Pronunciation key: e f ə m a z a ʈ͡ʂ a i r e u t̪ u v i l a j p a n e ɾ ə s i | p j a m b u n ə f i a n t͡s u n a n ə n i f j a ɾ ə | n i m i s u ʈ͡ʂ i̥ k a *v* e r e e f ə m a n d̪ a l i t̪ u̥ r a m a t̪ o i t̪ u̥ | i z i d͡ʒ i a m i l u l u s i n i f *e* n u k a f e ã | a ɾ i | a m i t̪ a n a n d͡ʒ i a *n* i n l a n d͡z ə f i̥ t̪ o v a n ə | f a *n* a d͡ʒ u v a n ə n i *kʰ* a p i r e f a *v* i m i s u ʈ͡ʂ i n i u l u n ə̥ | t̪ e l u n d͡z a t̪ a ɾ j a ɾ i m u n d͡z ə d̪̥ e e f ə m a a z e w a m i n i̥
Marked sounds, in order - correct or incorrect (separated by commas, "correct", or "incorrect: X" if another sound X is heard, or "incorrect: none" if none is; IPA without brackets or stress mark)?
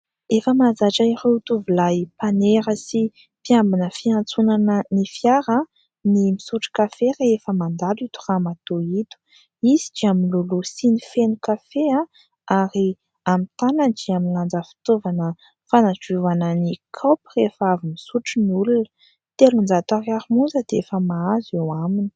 incorrect: f, correct, incorrect: m, correct, correct, correct